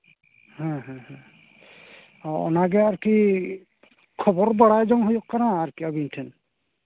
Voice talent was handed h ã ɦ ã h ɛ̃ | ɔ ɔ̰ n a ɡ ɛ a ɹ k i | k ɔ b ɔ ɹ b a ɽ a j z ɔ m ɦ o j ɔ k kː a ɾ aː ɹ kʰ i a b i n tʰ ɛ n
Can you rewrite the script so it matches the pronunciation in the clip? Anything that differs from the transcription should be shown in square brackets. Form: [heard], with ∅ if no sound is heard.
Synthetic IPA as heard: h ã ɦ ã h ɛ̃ | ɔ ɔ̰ n a ɡ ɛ a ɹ k i | [kʰ] ɔ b ɔ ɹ b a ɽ a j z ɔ [ŋ] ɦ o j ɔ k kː a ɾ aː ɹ [k] i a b i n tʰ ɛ n